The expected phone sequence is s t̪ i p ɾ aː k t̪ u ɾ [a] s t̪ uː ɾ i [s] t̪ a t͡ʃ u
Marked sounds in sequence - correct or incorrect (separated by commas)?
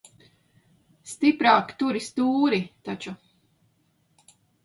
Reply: incorrect, incorrect